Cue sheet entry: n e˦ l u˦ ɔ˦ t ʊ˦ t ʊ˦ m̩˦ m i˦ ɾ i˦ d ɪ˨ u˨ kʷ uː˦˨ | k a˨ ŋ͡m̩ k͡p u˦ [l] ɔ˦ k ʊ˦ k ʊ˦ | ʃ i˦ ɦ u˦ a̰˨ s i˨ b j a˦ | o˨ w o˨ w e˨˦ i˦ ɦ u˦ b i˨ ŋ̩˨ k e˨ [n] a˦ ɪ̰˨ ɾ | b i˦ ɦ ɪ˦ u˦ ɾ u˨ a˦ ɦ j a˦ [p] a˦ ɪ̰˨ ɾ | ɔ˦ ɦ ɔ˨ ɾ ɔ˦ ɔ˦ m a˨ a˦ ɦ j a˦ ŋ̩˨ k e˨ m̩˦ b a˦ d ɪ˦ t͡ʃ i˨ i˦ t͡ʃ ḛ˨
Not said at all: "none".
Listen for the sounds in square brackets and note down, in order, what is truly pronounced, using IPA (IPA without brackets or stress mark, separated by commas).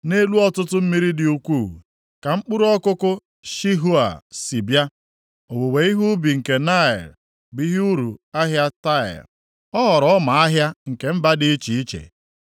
ɾ, n, t